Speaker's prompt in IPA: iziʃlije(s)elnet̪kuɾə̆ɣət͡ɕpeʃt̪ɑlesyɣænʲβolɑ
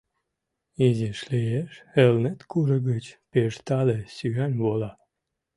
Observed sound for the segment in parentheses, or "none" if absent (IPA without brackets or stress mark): ʃ